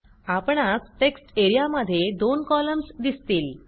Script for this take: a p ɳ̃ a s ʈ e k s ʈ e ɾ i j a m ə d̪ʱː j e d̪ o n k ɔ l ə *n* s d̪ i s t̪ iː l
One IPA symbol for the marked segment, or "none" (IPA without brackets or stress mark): m